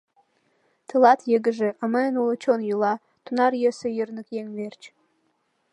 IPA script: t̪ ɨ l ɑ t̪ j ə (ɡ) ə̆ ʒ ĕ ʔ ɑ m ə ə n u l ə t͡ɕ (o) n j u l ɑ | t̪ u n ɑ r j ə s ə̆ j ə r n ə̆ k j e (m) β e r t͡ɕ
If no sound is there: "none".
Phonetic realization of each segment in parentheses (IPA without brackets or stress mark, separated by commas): ɡ, o, ŋ